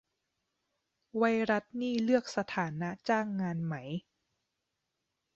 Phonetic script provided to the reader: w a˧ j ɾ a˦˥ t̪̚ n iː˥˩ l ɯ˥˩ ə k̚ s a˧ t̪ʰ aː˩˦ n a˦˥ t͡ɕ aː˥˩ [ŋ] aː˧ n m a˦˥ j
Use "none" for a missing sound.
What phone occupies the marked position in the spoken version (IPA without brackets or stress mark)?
ŋː